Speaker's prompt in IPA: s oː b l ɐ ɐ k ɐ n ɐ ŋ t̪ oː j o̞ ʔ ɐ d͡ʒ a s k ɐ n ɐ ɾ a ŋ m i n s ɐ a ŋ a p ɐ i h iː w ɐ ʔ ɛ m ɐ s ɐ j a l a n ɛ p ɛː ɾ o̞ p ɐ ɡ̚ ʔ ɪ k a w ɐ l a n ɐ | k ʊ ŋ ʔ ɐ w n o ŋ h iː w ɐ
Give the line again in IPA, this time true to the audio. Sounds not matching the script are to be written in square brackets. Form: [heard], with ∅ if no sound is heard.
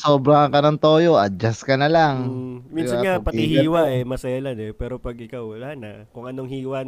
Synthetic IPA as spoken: s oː b [ɾ] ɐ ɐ k ɐ n ɐ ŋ t̪ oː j o̞ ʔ ɐ d͡ʒ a s k ɐ n ɐ [l] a ŋ m i n s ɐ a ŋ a p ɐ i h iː w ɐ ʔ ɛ m ɐ s ɐ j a l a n ɛ p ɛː ɾ o̞ p ɐ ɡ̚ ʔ ɪ k a w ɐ l a n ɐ | k ʊ ŋ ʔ ɐ [∅] n o ŋ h iː w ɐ